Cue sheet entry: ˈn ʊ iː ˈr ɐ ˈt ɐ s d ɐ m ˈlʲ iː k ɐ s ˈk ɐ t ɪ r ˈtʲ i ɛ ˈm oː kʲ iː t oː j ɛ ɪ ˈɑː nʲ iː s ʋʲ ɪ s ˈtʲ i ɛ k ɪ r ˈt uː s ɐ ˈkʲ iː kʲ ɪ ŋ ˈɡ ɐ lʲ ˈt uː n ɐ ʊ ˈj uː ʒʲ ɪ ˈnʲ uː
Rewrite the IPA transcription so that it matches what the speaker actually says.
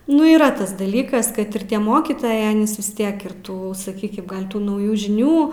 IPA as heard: ˈn ʊ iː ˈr ɐ ˈt ɐ s d ɐ ˈlʲ iː k ɐ s ˈk ɐ t ɪ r ˈtʲ i ɛ ˈm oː kʲ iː t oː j ɛ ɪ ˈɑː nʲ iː s ʋʲ ɪ s ˈtʲ i ɛ k ɪ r ˈt uː s ɐ ˈkʲ iː kʲ ɪ m ˈɡ ɐ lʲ ˈt uː n ɐ ʊ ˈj uː ʒʲ ɪ ˈnʲ uː